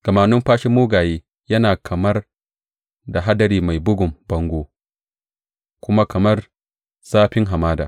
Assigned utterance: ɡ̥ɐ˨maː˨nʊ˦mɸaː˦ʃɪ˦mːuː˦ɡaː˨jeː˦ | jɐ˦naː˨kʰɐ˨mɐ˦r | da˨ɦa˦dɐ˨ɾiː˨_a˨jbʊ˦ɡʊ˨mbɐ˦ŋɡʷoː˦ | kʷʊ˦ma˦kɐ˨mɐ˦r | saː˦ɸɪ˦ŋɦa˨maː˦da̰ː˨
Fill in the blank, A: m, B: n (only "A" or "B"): A